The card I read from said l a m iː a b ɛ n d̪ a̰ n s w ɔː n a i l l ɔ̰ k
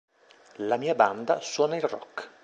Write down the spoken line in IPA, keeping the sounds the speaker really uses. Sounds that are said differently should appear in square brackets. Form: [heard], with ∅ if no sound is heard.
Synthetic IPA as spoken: l a m iː a b [a] n d̪ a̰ [∅] s w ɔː n a i l [r] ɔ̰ k